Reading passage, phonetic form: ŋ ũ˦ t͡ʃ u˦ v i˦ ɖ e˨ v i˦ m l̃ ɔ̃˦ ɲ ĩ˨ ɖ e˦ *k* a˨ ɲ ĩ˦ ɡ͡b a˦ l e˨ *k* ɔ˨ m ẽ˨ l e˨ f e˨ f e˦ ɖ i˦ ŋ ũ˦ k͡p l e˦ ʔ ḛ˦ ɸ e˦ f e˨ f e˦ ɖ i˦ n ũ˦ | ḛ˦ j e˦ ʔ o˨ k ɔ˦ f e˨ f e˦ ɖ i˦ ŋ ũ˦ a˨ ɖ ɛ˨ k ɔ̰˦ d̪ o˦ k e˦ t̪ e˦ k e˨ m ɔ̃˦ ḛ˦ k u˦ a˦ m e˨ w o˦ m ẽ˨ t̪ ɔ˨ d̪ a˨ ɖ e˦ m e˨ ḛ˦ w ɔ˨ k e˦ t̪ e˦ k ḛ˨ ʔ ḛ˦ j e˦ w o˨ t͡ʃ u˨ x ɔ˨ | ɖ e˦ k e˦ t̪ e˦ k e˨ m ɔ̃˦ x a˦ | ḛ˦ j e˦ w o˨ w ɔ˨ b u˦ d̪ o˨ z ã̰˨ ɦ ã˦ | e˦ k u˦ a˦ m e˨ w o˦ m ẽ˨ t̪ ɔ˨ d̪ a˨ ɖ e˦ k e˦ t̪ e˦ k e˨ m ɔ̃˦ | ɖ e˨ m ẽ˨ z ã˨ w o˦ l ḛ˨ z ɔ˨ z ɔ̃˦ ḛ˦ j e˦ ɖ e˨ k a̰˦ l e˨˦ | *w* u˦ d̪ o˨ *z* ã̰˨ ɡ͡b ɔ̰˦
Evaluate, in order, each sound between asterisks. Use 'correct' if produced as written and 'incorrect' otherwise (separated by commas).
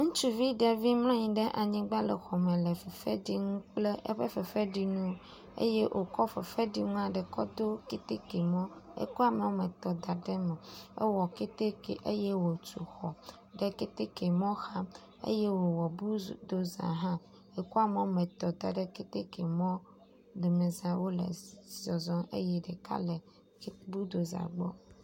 incorrect, incorrect, incorrect, correct